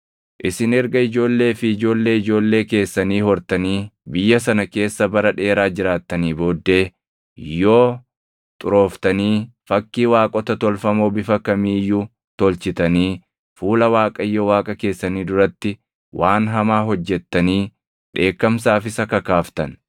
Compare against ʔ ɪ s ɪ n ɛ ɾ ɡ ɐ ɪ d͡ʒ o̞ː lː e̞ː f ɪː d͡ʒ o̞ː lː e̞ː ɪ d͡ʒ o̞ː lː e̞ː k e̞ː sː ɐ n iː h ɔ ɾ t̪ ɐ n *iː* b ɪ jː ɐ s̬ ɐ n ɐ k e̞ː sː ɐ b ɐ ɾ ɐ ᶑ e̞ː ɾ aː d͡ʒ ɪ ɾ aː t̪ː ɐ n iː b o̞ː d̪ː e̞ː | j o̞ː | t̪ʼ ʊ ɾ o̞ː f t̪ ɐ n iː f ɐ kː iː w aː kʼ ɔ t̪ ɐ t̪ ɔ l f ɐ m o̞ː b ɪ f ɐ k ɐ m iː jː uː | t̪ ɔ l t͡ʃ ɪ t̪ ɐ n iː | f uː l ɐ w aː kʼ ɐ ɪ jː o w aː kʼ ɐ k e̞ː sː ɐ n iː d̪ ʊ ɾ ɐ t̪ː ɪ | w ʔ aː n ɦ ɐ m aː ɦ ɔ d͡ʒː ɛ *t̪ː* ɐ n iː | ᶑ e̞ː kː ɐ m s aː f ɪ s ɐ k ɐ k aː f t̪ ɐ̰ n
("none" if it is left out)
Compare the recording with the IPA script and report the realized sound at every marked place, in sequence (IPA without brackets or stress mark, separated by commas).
iː, t̪ː